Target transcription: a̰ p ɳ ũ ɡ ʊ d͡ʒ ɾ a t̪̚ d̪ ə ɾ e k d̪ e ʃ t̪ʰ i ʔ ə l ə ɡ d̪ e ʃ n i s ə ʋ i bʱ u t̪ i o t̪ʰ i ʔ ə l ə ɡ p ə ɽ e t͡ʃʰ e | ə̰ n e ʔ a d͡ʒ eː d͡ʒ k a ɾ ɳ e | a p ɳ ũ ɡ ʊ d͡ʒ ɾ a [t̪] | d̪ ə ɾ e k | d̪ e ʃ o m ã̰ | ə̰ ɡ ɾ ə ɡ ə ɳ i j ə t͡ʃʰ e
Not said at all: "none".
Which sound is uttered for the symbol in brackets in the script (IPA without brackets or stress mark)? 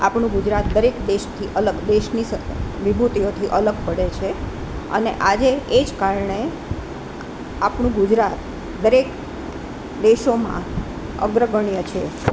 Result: t̪